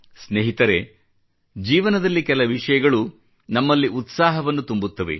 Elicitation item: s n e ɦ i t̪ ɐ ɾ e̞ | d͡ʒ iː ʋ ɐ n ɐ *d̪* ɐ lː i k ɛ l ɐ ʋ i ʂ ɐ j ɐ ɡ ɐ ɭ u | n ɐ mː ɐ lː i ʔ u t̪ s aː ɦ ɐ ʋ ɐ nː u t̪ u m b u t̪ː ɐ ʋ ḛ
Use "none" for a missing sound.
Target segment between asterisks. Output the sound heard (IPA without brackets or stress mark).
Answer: d̪